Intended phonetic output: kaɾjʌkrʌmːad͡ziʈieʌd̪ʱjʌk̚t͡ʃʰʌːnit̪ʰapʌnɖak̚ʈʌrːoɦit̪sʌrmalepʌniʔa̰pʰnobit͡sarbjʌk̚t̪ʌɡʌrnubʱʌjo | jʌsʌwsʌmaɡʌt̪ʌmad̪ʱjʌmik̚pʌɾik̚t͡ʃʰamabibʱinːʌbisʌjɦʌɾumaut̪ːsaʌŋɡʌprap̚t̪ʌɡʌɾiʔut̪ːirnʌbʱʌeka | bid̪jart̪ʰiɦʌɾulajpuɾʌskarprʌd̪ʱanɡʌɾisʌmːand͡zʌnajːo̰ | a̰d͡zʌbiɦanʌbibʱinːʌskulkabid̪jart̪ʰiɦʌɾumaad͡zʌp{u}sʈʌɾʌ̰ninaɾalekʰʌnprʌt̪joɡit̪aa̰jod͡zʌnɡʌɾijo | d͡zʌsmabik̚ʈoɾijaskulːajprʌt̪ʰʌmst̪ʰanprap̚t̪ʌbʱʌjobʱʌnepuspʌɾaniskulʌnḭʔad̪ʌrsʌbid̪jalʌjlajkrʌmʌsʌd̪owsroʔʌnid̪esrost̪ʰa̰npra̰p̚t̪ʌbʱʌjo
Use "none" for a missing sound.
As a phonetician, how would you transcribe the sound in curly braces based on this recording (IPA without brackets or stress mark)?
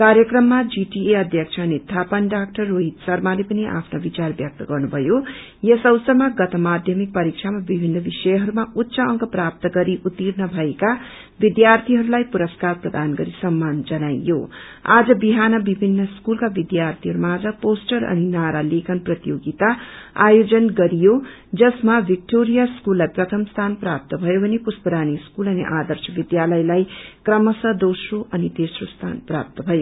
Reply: o